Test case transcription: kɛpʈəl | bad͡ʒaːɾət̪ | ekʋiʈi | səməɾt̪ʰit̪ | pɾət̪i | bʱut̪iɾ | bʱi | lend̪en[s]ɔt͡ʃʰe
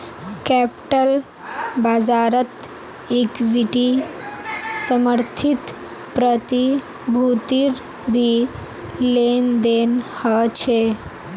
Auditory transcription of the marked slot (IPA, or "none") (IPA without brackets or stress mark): h